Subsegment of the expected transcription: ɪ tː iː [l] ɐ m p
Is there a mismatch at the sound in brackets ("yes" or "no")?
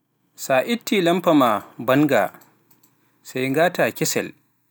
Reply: no